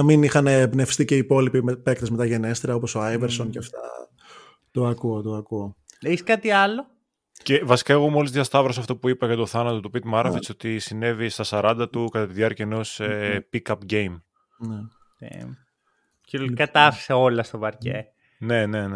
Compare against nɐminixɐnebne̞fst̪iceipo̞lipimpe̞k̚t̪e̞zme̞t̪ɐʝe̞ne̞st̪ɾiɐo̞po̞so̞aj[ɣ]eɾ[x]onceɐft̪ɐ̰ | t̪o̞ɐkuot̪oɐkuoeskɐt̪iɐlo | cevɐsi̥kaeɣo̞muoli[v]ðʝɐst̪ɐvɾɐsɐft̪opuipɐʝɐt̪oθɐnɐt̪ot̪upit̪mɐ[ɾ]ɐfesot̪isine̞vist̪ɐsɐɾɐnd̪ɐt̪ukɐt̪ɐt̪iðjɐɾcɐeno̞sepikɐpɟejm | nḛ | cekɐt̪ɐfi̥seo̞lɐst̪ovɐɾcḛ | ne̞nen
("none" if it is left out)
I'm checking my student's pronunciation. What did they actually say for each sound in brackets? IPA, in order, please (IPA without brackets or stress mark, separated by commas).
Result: v, s, z, ɾ